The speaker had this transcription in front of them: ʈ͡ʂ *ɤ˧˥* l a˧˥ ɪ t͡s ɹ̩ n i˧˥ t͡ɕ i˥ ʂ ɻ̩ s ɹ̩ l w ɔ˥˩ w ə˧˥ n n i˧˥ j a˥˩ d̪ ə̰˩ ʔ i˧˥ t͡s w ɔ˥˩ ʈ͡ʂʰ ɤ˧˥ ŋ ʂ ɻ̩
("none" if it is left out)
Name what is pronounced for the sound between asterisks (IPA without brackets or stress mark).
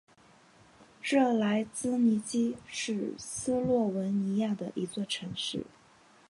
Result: ɤ˥˩